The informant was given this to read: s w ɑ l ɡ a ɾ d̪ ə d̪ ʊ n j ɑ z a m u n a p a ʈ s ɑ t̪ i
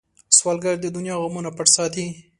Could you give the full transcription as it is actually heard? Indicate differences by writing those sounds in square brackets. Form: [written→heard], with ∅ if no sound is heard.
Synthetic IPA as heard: s w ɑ l ɡ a ɾ d̪ ə d̪ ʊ n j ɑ [z→ɣ] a m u n a p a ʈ s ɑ t̪ i